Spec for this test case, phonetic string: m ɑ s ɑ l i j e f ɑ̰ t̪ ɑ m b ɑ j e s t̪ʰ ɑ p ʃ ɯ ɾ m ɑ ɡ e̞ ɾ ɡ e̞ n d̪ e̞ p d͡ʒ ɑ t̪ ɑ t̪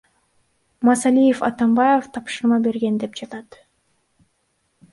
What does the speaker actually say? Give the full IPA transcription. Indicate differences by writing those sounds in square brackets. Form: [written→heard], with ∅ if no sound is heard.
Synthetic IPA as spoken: m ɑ s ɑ l i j e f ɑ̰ t̪ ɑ m b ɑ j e [s→f] t̪ʰ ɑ p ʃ ɯ ɾ m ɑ [ɡ→b] e̞ ɾ ɡ e̞ n d̪ e̞ p d͡ʒ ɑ t̪ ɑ t̪